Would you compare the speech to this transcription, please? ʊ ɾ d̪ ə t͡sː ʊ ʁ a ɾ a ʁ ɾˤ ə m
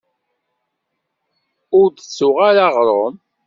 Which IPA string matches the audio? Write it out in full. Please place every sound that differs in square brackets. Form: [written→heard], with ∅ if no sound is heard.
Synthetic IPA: ʊ ɾ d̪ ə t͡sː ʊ ʁ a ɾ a ʁ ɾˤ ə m